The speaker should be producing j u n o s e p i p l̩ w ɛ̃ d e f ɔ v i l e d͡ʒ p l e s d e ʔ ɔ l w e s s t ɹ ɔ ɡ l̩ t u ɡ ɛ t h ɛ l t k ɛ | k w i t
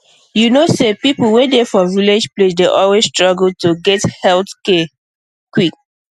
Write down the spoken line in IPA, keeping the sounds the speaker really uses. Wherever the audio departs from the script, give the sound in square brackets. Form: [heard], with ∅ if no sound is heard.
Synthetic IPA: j u n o s e p i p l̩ w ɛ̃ d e f ɔ v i l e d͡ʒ p l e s d e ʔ ɔ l w e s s t ɹ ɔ ɡ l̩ t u ɡ ɛ t h ɛ l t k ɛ | k w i [k]